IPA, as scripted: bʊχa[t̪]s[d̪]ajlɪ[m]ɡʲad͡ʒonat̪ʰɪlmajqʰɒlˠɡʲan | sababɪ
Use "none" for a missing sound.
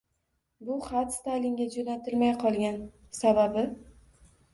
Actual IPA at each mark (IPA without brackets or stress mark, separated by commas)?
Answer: t̪, t̪, ŋ